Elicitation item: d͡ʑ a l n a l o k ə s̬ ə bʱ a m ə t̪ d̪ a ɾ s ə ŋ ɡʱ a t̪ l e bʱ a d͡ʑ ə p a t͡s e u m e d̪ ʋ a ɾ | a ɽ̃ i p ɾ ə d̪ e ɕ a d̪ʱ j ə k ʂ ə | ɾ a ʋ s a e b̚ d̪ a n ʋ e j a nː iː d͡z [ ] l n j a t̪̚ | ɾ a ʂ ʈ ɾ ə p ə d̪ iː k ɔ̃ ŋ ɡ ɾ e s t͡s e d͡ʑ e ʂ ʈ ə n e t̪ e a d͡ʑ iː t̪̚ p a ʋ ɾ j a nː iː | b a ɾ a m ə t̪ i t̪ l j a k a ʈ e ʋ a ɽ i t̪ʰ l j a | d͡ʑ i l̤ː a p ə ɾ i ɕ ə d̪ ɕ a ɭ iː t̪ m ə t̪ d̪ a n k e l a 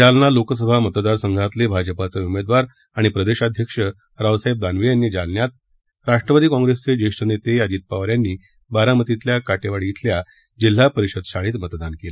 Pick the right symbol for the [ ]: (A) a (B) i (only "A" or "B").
A